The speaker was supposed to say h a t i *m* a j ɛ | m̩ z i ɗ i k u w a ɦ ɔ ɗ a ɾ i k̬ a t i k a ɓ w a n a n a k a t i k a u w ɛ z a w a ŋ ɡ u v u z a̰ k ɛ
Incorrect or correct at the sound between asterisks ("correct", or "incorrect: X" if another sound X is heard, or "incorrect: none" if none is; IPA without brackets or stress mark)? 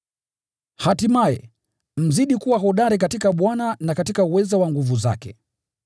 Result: correct